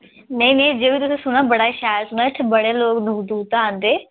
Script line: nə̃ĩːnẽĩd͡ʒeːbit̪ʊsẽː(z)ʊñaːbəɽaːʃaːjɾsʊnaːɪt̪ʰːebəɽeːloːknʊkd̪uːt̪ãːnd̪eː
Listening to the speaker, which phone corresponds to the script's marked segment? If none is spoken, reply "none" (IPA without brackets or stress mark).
s